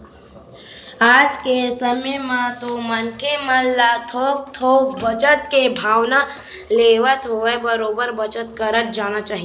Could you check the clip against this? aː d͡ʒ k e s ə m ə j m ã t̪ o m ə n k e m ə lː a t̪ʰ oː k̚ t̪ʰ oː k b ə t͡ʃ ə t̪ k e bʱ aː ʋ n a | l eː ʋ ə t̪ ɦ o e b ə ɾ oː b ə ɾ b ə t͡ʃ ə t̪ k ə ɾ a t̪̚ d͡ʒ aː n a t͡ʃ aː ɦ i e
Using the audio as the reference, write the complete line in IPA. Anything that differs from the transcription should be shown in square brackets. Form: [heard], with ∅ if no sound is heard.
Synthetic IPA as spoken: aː d͡ʒ k e s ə m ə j m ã t̪ o m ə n k e m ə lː a t̪ʰ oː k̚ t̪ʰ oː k b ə t͡ʃ ə t̪ k e bʱ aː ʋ n a | l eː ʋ ə t̪ ɦ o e b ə ɾ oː b ə ɾ b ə t͡ʃ ə t̪ k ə ɾ [ə] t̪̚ d͡ʒ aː n a t͡ʃ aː ɦ i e